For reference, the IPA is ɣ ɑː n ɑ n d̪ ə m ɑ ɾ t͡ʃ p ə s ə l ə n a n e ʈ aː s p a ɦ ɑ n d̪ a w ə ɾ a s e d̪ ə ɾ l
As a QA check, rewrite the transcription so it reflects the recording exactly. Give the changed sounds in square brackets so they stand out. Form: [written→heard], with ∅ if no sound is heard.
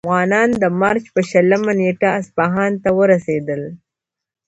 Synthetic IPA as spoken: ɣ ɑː n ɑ n d̪ ə m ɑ ɾ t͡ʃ p ə [s→ʃ] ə l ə [n→m] a n e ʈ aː s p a ɦ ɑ n [d̪→t̪] a w ə ɾ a s e d̪ ə [ɾ→∅] l